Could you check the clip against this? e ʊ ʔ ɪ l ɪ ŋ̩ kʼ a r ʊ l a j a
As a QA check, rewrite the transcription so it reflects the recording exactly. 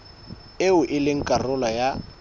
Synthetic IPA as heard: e ʊ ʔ ɪ l ɪ ŋ̩ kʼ a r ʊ l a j a